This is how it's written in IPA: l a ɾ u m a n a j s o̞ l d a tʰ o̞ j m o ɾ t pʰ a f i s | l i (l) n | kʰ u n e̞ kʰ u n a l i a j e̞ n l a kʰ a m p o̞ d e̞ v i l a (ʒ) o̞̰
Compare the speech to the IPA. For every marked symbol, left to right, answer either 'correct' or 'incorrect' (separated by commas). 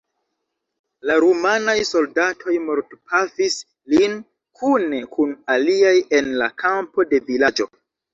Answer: incorrect, incorrect